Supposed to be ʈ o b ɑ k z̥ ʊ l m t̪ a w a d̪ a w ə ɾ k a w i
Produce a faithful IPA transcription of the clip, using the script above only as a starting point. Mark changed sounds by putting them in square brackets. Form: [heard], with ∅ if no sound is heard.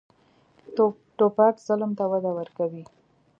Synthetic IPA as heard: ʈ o [p] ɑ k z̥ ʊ l m t̪ a w a d̪ a w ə ɾ k a w i

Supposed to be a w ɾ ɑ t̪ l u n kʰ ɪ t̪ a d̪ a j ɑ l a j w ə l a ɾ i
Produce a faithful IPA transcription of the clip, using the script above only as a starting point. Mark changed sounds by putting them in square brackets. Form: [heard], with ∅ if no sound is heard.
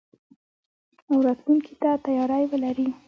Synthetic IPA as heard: a w ɾ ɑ t̪ l u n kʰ [i] t̪ a [t̪] a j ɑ [ɾ] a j w ə l a ɾ i

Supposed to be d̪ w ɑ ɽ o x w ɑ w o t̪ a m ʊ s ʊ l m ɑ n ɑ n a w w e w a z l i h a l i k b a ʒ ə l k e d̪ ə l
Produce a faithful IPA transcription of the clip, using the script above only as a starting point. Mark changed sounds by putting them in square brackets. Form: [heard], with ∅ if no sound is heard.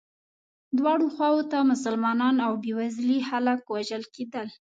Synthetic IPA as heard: d̪ w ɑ ɽ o x w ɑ w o t̪ a m ʊ s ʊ l m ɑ n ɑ n a w [b] e w a z l i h a l [a] k [w] a ʒ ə l k e d̪ ə l

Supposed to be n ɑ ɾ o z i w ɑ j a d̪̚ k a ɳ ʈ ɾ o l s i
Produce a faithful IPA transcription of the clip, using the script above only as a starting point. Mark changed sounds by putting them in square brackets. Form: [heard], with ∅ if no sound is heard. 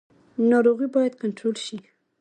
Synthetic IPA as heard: n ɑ ɾ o [ɣ] i [b] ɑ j a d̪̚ k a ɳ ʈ ɾ o l [ʃ] i

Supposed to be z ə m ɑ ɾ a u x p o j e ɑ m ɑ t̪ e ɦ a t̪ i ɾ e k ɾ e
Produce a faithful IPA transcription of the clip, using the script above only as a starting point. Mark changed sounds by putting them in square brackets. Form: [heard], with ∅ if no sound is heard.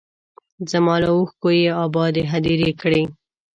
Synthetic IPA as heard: z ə m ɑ [l] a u x [k] o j e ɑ [b] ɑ [d̪] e ɦ a [d̪] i ɾ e k [ɽ] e

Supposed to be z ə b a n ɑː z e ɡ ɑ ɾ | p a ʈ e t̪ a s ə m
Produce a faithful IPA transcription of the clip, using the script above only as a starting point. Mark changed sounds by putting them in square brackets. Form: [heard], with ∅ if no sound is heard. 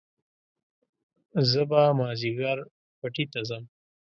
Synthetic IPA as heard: z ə b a [m] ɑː z [i] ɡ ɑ ɾ | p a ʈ [i] t̪ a [z] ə m

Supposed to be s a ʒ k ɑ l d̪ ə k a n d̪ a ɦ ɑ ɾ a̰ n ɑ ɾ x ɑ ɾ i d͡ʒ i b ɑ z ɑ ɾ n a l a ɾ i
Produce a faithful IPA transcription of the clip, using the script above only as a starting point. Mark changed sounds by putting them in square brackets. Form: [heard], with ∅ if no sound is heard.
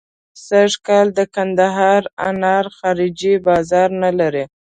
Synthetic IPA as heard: s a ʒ k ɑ l d̪ ə k a n d̪ a ɦ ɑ ɾ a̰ n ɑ ɾ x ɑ ɾ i d͡ʒ i b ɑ z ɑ ɾ n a l a ɾ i

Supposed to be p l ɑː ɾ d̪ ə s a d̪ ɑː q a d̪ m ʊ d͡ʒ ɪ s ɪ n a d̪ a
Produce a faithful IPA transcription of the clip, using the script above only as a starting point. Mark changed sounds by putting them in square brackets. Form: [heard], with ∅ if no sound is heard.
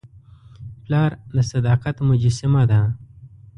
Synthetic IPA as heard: p l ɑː ɾ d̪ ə s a d̪ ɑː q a [t̪] m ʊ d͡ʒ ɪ s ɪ [m] a d̪ a

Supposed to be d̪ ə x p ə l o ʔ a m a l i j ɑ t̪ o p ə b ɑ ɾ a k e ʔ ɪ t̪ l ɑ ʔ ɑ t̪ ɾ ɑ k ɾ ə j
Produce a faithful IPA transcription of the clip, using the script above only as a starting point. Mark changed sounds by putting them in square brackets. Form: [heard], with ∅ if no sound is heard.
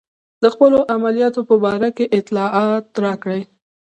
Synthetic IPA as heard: d̪ ə x p ə l o ʔ a m a l i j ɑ t̪ o p ə b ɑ ɾ a k e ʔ ɪ t̪ l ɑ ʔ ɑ t̪ ɾ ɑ k [ɽ] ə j

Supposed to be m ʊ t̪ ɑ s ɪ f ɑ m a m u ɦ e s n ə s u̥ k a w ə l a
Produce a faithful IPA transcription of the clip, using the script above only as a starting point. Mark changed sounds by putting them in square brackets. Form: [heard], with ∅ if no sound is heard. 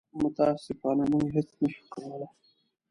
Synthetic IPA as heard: m ʊ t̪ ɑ s ɪ f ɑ [n] a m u ɦ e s n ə [ʃ] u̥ k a w ə l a

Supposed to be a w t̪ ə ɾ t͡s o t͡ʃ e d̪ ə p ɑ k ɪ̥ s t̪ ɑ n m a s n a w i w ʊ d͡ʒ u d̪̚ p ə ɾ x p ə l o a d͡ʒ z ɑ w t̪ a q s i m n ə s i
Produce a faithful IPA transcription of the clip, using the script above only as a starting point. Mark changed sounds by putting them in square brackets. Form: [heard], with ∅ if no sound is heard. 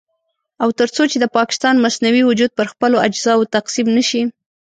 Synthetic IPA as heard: a w t̪ ə ɾ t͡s o t͡ʃ e d̪ ə p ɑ k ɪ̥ s t̪ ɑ n m a s n a w i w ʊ d͡ʒ u d̪̚ p ə ɾ x p ə l o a d͡ʒ z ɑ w t̪ a q s i m n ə [ʃ] i

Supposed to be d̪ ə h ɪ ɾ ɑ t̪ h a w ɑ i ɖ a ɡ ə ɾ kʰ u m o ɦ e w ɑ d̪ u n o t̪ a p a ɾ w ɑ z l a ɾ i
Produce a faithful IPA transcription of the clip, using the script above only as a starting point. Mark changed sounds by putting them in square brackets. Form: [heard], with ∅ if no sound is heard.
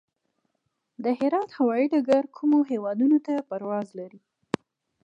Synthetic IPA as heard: d̪ ə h ɪ ɾ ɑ t̪ h a w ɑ i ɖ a ɡ [a] ɾ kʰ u m o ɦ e w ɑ d̪ u n o t̪ a p a ɾ w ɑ z l a ɾ i

